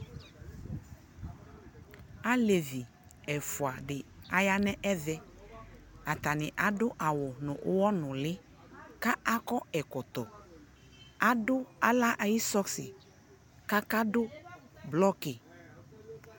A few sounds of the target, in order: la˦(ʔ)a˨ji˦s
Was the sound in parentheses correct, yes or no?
yes